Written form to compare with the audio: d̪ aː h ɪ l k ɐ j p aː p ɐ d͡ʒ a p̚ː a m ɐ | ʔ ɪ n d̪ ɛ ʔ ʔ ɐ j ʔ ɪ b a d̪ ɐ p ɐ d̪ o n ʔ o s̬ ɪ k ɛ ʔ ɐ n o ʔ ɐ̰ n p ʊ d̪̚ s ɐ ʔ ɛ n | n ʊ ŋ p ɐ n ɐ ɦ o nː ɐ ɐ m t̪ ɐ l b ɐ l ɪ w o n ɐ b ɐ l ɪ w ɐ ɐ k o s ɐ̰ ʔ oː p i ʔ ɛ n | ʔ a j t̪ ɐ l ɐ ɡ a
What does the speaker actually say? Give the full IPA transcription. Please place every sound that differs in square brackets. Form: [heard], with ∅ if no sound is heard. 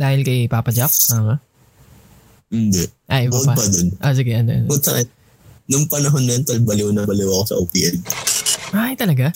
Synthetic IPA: d̪ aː h ɪ l k ɐ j p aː p ɐ d͡ʒ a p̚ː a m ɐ | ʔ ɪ n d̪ ɛ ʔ ʔ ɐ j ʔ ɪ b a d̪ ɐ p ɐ d̪ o n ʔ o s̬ ɪ [ɡ] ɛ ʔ ɐ n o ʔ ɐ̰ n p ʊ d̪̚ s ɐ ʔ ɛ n | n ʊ ŋ p ɐ n ɐ ɦ o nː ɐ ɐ [n] t̪ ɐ l b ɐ l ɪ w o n ɐ b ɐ l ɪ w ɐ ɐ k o s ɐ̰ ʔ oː p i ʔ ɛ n | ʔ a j t̪ ɐ l ɐ ɡ a